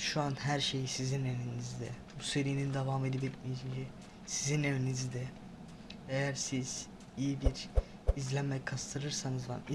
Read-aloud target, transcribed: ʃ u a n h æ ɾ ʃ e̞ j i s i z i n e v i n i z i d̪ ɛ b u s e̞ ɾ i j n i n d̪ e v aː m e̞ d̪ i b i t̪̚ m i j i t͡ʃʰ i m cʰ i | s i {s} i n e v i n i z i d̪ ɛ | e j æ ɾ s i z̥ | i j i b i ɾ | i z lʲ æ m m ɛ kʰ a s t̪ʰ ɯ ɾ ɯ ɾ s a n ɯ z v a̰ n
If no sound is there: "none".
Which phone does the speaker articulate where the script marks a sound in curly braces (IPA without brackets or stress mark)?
z